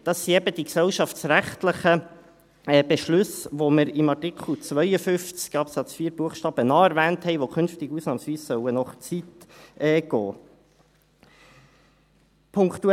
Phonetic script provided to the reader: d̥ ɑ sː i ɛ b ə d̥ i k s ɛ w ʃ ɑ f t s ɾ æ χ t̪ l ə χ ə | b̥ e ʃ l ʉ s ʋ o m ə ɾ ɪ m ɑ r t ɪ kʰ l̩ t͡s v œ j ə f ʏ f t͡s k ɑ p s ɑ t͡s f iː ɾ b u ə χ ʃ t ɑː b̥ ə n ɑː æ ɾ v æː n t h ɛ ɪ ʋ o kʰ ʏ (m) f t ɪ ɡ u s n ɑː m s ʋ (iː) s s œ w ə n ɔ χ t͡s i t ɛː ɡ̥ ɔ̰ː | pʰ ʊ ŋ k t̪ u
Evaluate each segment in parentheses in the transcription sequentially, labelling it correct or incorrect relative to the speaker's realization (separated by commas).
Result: incorrect, correct